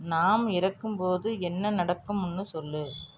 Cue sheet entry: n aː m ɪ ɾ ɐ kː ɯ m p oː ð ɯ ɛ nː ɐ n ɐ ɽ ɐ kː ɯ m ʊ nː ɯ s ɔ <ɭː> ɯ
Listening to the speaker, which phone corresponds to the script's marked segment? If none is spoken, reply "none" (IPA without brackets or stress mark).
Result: lː